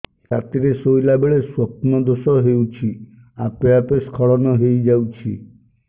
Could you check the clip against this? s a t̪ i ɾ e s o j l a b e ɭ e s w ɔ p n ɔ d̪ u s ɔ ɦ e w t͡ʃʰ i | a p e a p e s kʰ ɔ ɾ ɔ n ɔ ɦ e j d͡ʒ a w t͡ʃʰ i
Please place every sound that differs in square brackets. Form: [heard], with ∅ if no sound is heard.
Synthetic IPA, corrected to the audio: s a t̪ i ɾ e s o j l a b e ɭ e s w ɔ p n ɔ d̪ [o] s ɔ ɦ e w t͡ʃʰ i | a p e a p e s kʰ ɔ [ɭ] ɔ n ɔ ɦ e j d͡ʒ a w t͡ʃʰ i